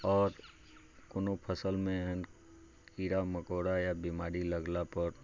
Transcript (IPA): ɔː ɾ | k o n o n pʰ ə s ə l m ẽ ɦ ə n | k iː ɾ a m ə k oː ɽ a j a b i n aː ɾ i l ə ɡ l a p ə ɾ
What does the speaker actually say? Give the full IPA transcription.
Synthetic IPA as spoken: ɔː ɾ | k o n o pʰ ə s ə l m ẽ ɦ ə n | k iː ɾ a m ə k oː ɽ a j a b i m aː ɾ i l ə ɡ l a p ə ɾ